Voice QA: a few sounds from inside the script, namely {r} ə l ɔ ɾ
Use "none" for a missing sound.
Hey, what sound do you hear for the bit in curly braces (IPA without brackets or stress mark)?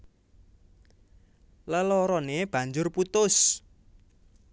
l